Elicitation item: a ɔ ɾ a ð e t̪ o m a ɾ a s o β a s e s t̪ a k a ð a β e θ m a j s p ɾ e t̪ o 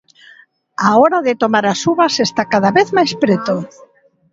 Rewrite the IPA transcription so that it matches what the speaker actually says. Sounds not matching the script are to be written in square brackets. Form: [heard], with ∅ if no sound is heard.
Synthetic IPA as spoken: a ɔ ɾ a ð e t̪ o m a ɾ a s [u] β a s e s t̪ a k a ð a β e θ m a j s p ɾ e t̪ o